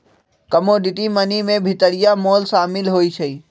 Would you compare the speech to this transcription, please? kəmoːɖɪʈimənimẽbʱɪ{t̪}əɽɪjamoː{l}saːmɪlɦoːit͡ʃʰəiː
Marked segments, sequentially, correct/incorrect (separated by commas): correct, correct